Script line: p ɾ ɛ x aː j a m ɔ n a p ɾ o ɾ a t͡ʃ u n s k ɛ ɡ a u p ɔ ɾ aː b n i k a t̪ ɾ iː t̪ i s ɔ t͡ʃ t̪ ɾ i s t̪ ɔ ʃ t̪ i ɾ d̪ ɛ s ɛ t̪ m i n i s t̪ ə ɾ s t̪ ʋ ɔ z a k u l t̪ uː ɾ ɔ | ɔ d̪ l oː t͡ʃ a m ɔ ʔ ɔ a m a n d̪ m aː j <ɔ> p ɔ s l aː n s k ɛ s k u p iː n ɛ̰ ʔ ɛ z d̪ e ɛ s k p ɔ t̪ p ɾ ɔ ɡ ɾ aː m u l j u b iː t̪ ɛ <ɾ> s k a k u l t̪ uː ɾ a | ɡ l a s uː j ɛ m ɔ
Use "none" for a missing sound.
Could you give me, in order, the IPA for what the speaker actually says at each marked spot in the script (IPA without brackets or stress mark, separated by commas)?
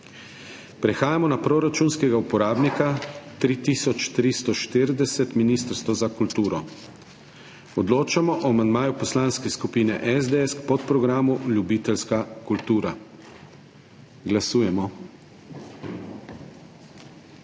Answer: u, l